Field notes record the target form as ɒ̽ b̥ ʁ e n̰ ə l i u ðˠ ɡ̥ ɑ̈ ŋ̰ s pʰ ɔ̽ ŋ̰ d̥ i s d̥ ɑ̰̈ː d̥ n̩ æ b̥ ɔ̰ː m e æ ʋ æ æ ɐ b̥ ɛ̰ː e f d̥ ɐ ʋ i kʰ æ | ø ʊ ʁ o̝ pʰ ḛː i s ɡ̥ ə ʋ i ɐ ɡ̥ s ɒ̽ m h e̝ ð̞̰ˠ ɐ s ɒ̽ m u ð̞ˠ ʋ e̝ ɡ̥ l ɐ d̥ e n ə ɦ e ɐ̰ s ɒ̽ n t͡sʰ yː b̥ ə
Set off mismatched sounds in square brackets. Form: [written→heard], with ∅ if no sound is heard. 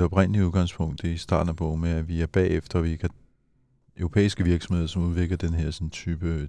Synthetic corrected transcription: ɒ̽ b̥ ʁ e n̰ ə l i u ðˠ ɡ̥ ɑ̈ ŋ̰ s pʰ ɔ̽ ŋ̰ d̥ i s d̥ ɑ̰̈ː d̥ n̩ æ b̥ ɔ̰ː m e æ ʋ [æ→i] æ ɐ b̥ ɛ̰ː e f d̥ ɐ ʋ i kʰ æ | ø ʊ ʁ o̝ pʰ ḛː i s ɡ̥ ə ʋ i ɐ ɡ̥ s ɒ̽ m h e̝ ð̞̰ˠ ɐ s ɒ̽ m u ð̞ˠ ʋ e̝ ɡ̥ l ɐ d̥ e n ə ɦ e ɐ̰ s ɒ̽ n t͡sʰ yː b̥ ə